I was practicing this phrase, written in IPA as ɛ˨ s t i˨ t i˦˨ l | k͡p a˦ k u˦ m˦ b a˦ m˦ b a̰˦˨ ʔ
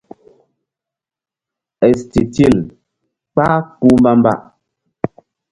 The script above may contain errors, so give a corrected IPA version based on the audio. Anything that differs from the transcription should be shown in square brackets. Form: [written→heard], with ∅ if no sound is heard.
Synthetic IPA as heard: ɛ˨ s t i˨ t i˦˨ l | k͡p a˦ k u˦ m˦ b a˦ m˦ b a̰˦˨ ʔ